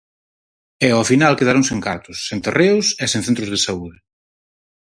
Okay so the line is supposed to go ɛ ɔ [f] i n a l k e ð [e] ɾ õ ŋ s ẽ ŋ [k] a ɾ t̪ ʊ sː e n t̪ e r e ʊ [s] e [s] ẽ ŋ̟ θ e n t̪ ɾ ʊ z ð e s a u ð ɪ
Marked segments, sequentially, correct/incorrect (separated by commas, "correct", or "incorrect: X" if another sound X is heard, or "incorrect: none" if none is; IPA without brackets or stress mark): correct, incorrect: a, correct, correct, correct